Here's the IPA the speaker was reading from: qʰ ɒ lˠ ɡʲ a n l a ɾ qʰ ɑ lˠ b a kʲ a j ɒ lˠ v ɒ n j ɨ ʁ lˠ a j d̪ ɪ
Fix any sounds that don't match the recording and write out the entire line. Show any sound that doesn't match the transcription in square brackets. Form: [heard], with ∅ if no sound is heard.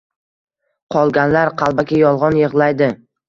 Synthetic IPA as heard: qʰ ɒ lˠ ɡʲ a n l a ɾ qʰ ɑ lˠ b a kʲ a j ɒ lˠ [ʁ] ɒ n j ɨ ʁ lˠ a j d̪ ɪ